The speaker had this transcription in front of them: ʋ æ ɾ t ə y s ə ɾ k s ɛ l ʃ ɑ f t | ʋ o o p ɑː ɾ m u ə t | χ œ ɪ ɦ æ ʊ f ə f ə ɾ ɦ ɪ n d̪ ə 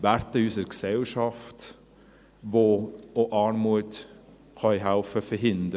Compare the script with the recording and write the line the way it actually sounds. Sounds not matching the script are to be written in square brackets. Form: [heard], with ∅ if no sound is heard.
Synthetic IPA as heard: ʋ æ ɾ t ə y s ə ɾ k s ɛ l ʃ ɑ f t | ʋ o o [ʔ] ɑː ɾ m u ə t | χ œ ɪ ɦ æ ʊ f ə f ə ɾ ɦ ɪ n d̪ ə